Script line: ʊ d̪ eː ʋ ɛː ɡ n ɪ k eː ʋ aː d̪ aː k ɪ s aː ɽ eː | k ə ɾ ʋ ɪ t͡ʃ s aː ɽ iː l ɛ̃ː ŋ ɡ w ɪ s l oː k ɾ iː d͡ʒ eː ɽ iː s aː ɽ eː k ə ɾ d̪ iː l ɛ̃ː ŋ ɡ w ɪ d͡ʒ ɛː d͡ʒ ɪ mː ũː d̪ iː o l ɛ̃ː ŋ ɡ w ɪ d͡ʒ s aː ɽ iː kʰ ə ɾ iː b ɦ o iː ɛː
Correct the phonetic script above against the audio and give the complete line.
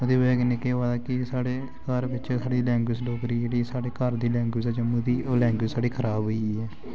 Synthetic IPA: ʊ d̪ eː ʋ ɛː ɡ n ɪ k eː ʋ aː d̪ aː k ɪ s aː ɽ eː | k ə ɾ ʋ ɪ t͡ʃ s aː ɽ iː l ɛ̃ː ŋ ɡ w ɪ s l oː k ɾ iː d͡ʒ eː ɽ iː s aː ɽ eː k ə ɾ d̪ iː l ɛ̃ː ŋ ɡ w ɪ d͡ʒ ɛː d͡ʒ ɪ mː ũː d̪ iː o l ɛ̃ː ŋ ɡ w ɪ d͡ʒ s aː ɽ iː kʰ ə ɾ aː b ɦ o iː ɛː